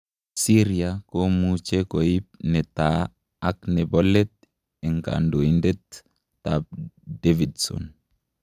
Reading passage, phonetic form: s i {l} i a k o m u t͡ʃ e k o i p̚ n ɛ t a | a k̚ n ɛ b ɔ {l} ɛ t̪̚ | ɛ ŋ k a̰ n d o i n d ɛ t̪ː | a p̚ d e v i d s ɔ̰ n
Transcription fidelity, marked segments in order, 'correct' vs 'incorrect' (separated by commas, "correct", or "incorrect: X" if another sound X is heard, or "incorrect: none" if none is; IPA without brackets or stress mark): incorrect: ɾ, correct